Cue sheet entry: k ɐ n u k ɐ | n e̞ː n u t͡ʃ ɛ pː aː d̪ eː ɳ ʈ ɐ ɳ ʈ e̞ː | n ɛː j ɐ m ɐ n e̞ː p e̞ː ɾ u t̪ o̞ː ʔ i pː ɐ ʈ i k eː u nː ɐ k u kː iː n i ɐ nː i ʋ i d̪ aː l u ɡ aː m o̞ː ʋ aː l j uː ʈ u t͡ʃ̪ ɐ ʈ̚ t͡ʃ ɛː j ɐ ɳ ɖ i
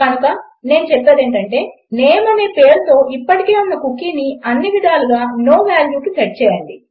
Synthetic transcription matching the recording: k ɐ n u k ɐ | n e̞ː n u t͡ʃ ɛ pː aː d̪ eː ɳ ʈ ɐ ɳ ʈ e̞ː | n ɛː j ɐ m ɐ n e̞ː p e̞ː ɾ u t̪ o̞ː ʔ i pː ɐ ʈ i k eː u nː ɐ k u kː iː n i ɐ nː i ʋ i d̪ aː l u ɡ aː n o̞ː ʋ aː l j uː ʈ u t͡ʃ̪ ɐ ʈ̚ t͡ʃ ɛː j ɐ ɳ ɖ i